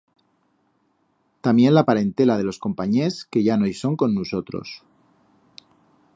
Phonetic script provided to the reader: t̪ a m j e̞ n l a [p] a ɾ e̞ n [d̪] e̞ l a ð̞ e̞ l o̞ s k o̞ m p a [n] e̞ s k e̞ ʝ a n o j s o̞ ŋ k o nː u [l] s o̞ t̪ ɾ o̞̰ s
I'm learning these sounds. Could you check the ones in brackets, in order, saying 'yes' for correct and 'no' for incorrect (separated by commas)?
yes, no, no, no